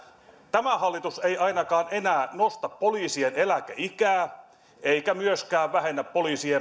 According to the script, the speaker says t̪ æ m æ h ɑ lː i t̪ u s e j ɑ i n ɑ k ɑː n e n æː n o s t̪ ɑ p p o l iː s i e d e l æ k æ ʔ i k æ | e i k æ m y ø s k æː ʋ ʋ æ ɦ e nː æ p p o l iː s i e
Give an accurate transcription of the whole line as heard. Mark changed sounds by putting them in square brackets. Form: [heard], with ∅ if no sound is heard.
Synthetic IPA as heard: t̪ æ m æ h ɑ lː i t̪ u s e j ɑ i n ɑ k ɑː n e n æː n o s t̪ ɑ p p o l iː s i e [n] e l æ k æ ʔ i k [æː] | e i k æ m y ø s k æː ʋ ʋ æ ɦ e nː æ p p o l iː s i e